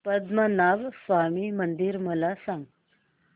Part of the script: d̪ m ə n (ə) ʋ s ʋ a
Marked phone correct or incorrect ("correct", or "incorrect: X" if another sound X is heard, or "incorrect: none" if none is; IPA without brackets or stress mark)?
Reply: incorrect: a